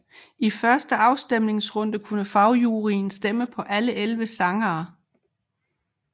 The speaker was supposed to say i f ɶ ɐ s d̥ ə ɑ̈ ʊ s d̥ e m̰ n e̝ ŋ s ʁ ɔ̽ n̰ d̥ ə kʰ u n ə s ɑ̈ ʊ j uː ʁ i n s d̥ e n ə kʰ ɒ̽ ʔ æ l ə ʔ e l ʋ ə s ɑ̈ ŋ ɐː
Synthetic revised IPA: i f ɶ ɐ s d̥ ə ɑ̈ ʊ s d̥ e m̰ n e̝ ŋ s ʁ ɔ̽ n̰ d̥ ə kʰ u n ə f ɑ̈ ʊ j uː ʁ i n s d̥ e m ə pʰ ɒ̽ ʔ æ l ə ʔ e l ʋ ə s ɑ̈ ŋ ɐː